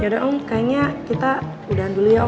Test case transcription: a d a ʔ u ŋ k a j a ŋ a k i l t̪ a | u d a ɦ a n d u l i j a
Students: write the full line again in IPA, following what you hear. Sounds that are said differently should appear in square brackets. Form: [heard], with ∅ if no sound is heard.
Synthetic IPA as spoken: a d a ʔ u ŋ k a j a [ɲ] a k i [∅] t̪ a | u d a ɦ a n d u l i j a